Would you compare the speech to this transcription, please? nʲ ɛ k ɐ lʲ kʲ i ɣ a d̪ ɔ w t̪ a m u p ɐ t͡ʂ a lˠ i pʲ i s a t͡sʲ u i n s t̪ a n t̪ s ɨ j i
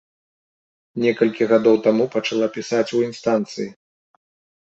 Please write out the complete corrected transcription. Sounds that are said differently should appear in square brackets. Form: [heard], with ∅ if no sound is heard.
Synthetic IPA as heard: nʲ ɛ k ɐ lʲ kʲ i ɣ a d̪ ɔ w t̪ a m u p ɐ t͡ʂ a lˠ [a] pʲ i s a t͡sʲ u i n s t̪ a n t̪ s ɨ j i